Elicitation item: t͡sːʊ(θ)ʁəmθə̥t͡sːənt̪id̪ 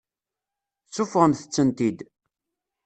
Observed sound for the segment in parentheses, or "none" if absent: f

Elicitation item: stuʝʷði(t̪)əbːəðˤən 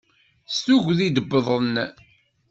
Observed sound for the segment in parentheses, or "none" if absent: d̪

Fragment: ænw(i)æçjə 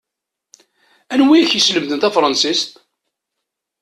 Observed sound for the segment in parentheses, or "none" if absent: i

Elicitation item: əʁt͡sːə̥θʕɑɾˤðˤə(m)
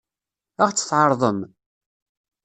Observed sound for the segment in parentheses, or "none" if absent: m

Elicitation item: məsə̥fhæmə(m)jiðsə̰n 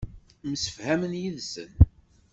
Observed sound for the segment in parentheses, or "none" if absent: n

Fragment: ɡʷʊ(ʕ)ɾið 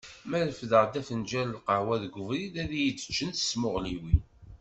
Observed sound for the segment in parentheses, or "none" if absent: v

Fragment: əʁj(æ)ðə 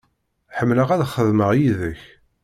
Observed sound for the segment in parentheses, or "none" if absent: i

